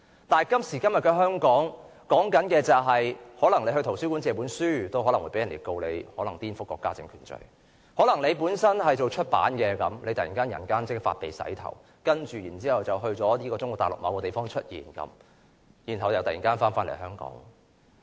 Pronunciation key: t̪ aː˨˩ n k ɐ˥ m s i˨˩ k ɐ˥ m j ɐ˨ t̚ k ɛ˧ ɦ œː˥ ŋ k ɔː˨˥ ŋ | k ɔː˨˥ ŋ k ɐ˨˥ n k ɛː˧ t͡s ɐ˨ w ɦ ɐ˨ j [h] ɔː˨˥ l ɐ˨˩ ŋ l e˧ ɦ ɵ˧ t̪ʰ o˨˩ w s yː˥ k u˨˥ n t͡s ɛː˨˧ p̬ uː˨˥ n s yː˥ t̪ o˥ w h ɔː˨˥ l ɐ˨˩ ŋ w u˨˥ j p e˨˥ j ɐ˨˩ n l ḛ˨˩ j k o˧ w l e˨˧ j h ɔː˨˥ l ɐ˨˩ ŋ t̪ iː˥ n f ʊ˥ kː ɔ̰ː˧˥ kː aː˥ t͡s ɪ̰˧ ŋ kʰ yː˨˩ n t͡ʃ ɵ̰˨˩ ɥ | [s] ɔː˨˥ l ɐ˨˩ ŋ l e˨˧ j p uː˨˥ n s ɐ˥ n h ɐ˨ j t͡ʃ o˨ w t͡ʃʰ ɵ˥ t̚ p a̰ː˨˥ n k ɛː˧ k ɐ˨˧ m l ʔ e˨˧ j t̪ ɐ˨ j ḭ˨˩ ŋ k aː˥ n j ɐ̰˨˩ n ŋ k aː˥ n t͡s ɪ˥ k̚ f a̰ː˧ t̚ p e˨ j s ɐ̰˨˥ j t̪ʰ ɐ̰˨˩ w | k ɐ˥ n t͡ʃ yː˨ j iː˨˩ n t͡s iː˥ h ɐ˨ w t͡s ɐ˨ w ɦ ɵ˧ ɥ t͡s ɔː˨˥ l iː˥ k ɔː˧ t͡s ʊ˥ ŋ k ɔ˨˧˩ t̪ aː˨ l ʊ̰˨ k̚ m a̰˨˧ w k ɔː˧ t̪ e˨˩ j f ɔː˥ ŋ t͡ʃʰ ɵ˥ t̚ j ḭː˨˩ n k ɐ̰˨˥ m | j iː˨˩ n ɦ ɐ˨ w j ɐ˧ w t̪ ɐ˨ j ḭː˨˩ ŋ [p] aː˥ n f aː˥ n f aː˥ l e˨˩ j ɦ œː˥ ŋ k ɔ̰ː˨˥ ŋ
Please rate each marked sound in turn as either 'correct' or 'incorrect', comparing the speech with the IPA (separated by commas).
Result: correct, incorrect, incorrect